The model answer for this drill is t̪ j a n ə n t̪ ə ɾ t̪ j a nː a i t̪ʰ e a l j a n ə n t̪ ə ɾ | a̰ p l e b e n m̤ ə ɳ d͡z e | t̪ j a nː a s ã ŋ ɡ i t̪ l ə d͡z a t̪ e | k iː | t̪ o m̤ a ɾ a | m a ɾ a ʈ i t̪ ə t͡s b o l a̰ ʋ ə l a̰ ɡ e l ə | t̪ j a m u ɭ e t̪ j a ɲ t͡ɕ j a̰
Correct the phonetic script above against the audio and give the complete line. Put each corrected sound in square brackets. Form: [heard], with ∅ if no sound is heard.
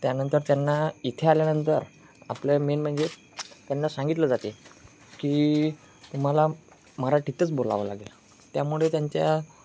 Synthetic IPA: t̪ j a n ə n t̪ ə ɾ t̪ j a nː a i t̪ʰ e a l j a n ə n t̪ ə ɾ | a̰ p l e [m] e n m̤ ə ɳ d͡z e | t̪ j a nː a s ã ŋ ɡ i t̪ l ə d͡z a t̪ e | k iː | t̪ [u] m̤ a [l] a | m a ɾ a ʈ i t̪ ə t͡s b o l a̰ ʋ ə l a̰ ɡ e l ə | t̪ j a m u ɭ e t̪ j a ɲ t͡ɕ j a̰

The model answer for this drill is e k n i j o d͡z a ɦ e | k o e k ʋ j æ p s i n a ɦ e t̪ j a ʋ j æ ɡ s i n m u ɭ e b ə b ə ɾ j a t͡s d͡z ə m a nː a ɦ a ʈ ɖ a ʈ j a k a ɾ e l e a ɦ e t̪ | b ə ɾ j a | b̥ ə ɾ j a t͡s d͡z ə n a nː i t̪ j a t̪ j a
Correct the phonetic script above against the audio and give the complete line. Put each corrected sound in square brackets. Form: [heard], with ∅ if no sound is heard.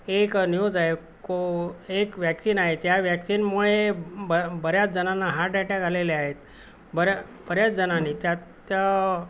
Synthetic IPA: e k n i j o d͡z a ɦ e | k o e k ʋ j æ [k] s i n a ɦ e t̪ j a ʋ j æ [k] s i n m u ɭ e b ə b ə ɾ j a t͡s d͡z ə [n] a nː a ɦ a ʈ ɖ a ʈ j a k a [l] e l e a ɦ e t̪ | b ə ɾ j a | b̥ ə ɾ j a t͡s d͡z ə n a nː i t̪ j a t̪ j a

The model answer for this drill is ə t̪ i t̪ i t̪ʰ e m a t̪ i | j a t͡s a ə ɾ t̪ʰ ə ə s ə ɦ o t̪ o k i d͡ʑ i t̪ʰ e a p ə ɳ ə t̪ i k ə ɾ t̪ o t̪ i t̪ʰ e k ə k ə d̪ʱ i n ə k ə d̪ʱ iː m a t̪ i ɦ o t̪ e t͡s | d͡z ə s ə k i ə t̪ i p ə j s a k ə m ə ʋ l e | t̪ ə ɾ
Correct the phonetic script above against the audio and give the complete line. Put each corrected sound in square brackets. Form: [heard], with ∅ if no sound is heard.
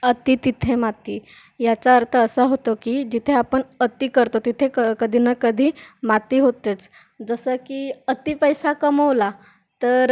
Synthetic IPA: ə t̪ i t̪ i t̪ʰ e m a t̪ i | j a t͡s a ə ɾ t̪ʰ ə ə s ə ɦ o t̪ o k i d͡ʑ i t̪ʰ e a p ə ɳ ə t̪ i k ə ɾ t̪ o t̪ i t̪ʰ e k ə k ə d̪ʱ i n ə k ə d̪ʱ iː m a t̪ i ɦ o t̪ e t͡s | d͡z ə s ə k i ə t̪ i p ə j s a k ə m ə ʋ l [a] | t̪ ə ɾ

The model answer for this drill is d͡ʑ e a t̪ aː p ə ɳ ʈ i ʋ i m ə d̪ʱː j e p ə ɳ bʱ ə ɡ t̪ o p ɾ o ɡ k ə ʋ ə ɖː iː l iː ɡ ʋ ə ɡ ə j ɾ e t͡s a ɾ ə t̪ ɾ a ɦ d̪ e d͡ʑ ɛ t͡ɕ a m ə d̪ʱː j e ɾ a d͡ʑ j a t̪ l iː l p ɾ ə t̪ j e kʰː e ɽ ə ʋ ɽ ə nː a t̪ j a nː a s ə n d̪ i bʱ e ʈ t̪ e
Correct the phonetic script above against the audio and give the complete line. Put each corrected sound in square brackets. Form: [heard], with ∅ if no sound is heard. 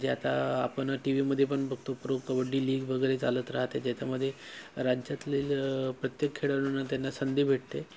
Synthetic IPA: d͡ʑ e a t̪ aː p ə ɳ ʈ i ʋ i m ə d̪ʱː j e p ə ɳ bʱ ə ɡ t̪ o p ɾ o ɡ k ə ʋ ə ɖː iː l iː ɡ ʋ ə ɡ ə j ɾ e t͡s a [l] ə t̪ ɾ a ɦ [t̪] e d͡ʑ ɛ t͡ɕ a m ə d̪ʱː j e ɾ a d͡ʑ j a t̪ l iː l p ɾ ə t̪ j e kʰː e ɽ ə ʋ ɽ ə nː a t̪ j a nː a s ə n d̪ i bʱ e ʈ t̪ e

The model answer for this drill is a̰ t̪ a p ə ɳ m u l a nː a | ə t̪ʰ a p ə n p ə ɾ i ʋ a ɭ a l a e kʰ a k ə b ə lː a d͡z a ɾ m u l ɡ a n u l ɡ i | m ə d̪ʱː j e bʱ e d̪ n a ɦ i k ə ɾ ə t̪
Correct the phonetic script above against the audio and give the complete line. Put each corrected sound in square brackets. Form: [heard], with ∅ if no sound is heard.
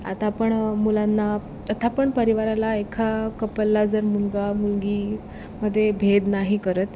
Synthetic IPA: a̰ t̪ a p ə ɳ m u l a nː a | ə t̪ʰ a p ə [ɳ] p ə ɾ i ʋ a [ɾ] a l a e kʰ a k ə [p] ə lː a d͡z [ə] ɾ m u l ɡ a [m] u l ɡ i | m ə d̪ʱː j e bʱ e d̪ n a ɦ i k ə ɾ ə t̪

